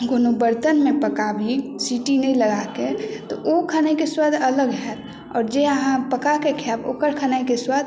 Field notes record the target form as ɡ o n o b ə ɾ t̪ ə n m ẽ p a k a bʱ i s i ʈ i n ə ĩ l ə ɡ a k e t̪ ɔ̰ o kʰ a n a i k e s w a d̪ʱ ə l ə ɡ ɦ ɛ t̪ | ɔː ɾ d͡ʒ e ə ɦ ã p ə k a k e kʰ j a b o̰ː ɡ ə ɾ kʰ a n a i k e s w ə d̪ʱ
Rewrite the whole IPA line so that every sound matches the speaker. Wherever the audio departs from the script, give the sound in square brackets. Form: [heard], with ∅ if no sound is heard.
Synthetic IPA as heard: ɡ o n o b ə ɾ t̪ ə n m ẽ p [ə] k a bʱ i s i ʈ i n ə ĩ l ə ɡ a k e t̪ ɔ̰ o kʰ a n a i k e s w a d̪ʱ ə l ə ɡ ɦ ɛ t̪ | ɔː ɾ d͡ʒ e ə ɦ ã p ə k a k e kʰ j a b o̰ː [k] ə ɾ kʰ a n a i k e s w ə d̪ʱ